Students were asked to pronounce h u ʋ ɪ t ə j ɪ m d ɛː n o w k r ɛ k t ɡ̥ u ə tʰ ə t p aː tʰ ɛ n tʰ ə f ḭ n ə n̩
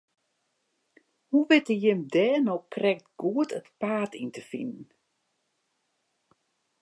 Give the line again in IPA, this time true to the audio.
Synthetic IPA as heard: h u ʋ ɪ t ə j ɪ m d ɛː n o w k r ɛ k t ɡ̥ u ə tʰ ə t p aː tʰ i n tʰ ə f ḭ n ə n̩